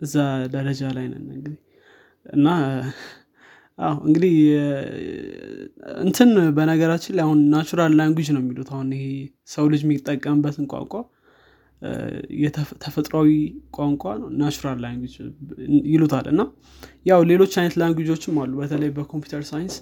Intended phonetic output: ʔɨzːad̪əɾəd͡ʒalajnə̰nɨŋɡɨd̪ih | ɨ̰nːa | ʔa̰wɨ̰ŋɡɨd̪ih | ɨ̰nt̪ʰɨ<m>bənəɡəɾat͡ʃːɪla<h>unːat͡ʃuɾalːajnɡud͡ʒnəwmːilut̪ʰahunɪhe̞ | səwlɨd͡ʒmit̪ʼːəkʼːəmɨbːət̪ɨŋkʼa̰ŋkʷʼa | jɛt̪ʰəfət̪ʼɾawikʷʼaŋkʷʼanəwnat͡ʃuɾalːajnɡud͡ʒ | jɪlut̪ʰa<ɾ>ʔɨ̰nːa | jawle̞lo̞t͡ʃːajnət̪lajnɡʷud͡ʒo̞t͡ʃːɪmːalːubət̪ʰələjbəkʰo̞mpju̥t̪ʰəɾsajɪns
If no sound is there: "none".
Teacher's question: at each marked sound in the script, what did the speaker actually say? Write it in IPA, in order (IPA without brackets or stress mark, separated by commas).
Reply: n, h, l